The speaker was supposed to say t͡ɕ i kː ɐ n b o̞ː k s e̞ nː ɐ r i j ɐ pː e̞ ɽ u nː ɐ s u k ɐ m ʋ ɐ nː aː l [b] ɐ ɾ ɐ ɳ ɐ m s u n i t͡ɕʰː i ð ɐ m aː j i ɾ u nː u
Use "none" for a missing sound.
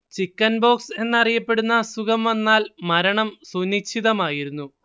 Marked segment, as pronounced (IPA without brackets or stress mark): m